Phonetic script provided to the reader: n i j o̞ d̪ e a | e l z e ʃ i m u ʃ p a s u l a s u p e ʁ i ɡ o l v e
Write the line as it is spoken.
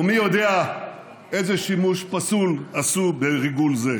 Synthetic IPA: m i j o̞ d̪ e a | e z e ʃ i m u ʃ p a s u l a s u b e ʁ i ɡ u l z e